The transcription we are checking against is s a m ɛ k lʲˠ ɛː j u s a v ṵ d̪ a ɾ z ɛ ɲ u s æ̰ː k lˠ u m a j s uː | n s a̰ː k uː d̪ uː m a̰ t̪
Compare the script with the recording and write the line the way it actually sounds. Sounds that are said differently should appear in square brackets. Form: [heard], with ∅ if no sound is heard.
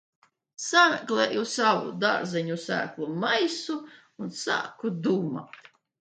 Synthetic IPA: s a m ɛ k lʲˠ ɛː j u s a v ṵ d̪ a ɾ z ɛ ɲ u s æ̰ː k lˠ u m a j s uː | n s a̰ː k [u] d̪ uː m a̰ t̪